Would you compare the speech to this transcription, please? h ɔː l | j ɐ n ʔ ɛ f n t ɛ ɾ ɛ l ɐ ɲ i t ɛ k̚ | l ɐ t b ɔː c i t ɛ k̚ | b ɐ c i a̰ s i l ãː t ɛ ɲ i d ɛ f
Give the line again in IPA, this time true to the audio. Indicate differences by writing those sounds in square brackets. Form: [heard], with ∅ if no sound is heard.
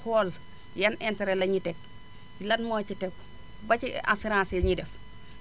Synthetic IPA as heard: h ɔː l | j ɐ n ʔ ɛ [∅] n t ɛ ɾ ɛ l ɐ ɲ i t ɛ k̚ | l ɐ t [m] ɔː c i t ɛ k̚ | b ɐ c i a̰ s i [ɾ] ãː [s] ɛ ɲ i d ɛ f